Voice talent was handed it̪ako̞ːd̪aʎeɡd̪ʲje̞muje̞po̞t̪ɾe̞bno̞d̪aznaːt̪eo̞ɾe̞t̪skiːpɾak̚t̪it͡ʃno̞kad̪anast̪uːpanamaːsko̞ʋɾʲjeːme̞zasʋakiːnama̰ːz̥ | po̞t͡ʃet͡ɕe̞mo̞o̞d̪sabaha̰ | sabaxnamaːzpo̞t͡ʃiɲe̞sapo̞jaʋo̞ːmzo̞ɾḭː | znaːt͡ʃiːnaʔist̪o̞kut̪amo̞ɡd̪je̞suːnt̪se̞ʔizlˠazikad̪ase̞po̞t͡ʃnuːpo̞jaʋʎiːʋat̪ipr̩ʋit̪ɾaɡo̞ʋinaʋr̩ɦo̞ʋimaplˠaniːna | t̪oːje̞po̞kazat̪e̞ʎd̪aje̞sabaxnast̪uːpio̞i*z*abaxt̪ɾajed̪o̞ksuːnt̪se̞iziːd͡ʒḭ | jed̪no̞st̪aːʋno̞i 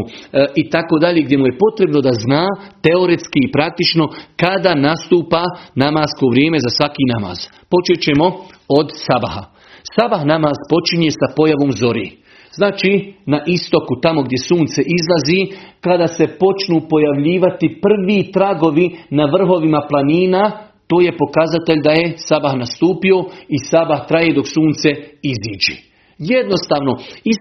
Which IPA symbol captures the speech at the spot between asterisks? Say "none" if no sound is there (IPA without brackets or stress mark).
s